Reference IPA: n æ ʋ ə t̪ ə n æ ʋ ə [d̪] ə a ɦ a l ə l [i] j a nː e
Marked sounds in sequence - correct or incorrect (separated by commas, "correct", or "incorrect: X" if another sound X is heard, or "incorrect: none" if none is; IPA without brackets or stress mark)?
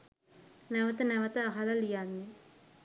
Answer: incorrect: t̪, correct